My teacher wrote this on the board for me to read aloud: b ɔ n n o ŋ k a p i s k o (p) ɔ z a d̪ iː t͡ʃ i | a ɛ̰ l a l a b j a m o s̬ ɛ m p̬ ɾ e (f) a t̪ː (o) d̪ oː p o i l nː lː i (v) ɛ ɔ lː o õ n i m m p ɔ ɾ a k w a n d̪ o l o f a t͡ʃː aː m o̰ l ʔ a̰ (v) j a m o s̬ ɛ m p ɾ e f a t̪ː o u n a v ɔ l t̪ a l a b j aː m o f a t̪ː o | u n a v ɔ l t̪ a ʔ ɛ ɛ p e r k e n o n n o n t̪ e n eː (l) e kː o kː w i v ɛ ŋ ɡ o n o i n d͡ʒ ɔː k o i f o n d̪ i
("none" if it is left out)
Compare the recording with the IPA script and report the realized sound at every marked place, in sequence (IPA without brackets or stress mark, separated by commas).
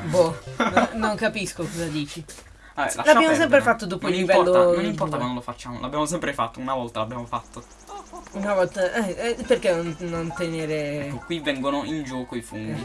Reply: k, f, o, v, b, ɾ